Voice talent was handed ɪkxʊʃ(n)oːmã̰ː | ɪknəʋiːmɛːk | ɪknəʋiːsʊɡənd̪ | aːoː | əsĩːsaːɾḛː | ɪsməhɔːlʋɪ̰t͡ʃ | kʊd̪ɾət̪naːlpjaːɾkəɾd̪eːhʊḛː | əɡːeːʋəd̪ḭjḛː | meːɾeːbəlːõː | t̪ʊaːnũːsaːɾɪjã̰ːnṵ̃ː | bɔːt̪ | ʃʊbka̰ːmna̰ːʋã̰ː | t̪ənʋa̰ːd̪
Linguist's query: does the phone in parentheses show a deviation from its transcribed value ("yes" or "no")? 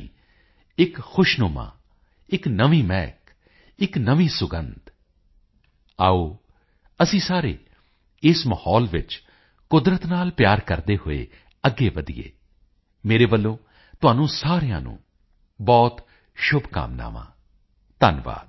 no